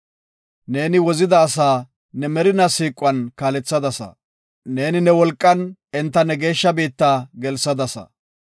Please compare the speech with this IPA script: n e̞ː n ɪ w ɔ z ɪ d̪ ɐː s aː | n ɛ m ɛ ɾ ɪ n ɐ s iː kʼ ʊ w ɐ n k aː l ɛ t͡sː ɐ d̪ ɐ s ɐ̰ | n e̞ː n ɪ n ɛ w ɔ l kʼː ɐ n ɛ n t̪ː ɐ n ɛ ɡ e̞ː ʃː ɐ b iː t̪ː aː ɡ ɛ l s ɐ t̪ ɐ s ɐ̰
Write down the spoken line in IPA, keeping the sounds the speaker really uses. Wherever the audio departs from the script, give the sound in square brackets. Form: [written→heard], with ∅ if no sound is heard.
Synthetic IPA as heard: n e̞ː n ɪ w ɔ z ɪ d̪ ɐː s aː | n ɛ m ɛ ɾ ɪ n ɐ s iː kʼ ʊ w ɐ n k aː l ɛ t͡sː ɐ d̪ ɐ s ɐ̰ | n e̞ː n ɪ n ɛ w ɔ l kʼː ɐ n ɛ n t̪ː ɐ n ɛ ɡ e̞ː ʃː ɐ b iː t̪ː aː ɡ ɛ l s ɐ [t̪→d̪] ɐ s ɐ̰